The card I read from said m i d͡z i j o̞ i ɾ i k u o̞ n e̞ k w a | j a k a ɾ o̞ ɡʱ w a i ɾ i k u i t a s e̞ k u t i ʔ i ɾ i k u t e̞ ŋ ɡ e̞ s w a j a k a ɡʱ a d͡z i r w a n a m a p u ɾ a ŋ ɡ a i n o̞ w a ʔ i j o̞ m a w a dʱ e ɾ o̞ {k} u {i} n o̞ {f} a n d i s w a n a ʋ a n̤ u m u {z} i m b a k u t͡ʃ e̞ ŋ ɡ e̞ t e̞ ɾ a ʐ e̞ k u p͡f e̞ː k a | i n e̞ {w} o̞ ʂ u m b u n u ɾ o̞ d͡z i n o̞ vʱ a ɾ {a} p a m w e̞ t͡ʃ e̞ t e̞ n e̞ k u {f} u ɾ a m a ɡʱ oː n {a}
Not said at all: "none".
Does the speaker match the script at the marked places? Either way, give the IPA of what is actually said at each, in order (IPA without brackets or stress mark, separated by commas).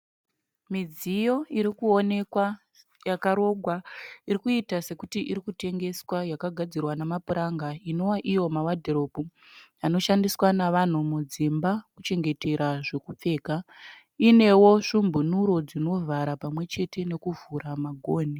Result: p, a, ʃ, d͡z, w, a, v, i